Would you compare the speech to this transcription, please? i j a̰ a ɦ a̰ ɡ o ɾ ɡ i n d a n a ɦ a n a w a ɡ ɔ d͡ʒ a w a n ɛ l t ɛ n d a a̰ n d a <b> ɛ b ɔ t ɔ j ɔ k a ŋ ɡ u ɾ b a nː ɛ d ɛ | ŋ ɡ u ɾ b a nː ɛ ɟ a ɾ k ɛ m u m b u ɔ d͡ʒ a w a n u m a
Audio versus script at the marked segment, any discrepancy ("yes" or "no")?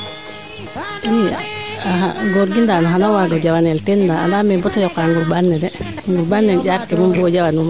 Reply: yes